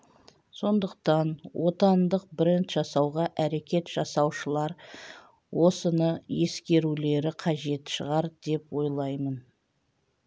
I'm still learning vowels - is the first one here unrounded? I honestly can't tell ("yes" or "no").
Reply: no